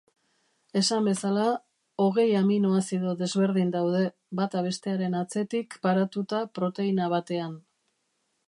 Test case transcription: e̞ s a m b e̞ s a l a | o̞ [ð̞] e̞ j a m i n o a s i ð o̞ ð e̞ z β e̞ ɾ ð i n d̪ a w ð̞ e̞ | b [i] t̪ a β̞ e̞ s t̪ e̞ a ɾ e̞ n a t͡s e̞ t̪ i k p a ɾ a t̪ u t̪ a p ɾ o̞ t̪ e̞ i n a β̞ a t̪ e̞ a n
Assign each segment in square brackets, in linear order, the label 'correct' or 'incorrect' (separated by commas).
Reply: incorrect, incorrect